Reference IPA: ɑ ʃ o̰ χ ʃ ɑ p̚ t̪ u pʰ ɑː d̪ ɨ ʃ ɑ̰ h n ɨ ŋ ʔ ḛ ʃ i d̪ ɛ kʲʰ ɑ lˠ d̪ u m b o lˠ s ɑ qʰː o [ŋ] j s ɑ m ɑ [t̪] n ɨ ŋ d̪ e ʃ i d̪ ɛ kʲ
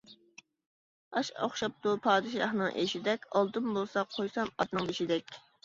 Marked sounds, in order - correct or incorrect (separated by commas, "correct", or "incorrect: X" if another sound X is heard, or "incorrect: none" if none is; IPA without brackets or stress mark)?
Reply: incorrect: none, correct